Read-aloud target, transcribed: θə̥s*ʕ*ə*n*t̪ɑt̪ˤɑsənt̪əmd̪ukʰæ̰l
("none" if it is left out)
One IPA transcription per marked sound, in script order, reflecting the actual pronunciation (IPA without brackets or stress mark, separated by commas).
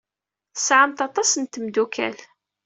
ʕ, m